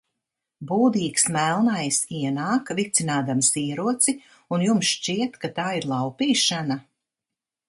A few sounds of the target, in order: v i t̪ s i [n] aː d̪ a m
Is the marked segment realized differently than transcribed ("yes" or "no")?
no